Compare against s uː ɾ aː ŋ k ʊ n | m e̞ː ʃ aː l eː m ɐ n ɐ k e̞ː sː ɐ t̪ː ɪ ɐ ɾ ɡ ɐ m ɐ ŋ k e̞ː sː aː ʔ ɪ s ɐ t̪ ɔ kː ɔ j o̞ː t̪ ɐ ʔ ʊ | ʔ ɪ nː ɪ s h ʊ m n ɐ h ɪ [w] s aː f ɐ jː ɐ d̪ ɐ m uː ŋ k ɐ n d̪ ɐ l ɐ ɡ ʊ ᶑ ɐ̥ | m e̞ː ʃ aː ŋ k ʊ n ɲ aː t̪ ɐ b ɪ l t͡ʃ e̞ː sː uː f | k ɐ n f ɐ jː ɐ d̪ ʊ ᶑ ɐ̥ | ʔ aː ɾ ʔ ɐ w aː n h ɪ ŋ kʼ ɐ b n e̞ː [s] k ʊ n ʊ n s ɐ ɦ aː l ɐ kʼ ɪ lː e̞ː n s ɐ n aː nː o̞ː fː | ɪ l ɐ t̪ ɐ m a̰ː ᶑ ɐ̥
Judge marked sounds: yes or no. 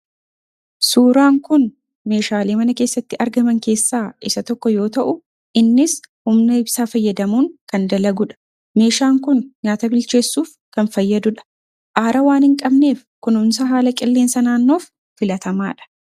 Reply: no, no

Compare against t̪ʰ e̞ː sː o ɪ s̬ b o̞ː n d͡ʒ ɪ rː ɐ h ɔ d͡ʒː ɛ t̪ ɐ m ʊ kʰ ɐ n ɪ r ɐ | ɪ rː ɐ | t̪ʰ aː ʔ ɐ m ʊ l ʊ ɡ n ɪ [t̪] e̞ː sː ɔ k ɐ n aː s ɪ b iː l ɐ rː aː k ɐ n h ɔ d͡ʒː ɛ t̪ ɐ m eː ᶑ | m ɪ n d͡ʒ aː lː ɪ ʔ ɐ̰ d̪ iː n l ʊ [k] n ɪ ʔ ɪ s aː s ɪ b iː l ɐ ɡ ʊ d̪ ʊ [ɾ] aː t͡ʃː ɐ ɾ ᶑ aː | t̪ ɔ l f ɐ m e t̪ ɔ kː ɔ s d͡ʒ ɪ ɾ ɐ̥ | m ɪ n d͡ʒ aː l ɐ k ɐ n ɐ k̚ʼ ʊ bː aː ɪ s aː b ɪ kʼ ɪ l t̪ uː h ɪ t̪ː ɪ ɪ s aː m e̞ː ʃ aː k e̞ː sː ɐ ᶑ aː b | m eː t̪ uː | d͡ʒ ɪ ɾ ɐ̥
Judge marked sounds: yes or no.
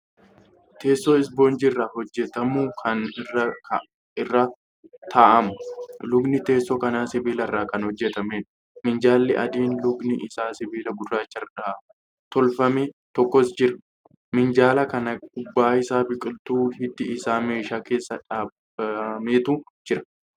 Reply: yes, no, yes

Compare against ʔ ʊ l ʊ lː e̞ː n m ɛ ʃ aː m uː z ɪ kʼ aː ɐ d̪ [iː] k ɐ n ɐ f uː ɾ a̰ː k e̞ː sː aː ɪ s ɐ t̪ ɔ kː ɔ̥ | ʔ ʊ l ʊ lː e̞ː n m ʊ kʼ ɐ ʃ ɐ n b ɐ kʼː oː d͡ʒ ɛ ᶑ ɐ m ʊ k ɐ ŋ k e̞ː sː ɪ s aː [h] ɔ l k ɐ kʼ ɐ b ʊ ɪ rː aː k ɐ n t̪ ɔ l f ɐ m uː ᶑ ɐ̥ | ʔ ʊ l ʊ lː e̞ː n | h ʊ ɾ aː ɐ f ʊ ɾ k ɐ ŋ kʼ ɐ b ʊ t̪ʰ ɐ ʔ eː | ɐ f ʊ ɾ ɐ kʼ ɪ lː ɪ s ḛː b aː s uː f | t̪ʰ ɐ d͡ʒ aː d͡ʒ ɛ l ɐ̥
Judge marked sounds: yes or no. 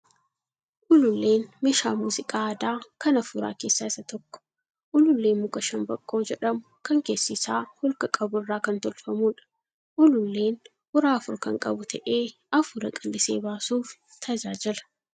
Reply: no, yes

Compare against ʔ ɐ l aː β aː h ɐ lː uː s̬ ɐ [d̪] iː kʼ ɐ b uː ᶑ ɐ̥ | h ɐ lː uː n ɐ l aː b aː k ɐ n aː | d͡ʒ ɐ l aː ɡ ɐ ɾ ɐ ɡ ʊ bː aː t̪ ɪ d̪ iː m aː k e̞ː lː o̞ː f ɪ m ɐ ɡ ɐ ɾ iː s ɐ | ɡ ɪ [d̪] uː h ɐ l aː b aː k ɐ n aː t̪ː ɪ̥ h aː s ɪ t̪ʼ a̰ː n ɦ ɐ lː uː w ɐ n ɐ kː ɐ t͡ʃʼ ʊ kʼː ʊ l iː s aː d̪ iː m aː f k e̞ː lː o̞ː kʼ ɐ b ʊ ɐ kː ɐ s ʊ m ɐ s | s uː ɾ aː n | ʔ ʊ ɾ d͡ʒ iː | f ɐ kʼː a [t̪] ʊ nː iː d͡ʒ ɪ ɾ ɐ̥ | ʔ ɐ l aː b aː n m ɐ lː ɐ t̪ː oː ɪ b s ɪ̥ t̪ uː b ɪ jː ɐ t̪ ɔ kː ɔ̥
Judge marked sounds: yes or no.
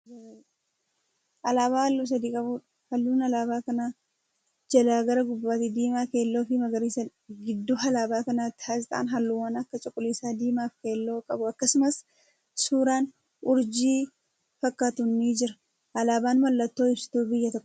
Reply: yes, no, yes

